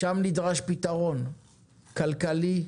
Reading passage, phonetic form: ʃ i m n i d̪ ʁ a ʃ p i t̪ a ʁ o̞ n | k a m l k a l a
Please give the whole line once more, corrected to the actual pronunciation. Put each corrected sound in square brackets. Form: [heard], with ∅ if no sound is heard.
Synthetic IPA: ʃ [a] m n i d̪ ʁ a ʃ p i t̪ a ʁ o̞ n | k a [∅] l k a l [i]